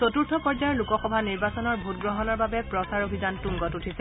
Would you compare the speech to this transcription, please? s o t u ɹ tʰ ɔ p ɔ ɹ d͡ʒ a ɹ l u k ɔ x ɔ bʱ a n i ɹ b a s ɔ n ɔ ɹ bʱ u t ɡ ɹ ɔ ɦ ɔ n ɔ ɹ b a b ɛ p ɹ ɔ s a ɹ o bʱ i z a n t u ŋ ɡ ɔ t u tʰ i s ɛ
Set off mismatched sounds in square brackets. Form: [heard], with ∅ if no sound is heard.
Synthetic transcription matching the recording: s o t u ɹ tʰ ɔ p ɔ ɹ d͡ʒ a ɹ l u k ɔ x ɔ bʱ a n i ɹ b a s ɔ n ɔ ɹ bʱ u t ɡ ɹ ɔ ɦ ɔ n ɔ ɹ b a b ɛ p ɹ ɔ s a ɹ o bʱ i z a n t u ŋ ɡ ɔ t u tʰ i s ɛ